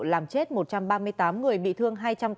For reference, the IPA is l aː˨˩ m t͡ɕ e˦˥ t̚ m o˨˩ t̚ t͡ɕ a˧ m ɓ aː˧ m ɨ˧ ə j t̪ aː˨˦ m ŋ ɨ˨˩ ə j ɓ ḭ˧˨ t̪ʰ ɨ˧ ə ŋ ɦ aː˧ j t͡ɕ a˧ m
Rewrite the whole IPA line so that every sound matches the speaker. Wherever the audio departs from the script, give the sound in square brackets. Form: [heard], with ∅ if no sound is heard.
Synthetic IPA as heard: l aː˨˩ m t͡ɕ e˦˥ t̚ m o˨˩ t̚ t͡ɕ a˧ m ɓ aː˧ m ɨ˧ ə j t̪ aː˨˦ m ŋ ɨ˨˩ ə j ɓ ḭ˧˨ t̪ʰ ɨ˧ ə ŋ ɦ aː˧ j t͡ɕ a˧ m